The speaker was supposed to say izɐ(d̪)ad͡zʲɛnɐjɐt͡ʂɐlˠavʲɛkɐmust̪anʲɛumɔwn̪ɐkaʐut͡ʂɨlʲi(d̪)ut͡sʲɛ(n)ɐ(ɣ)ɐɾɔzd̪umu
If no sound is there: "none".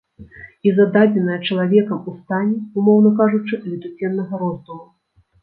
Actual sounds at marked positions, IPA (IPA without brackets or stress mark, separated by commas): d̪, t̪, nː, ɣ